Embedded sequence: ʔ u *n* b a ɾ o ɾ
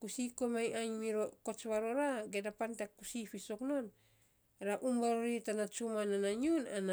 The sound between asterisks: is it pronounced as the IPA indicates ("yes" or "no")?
no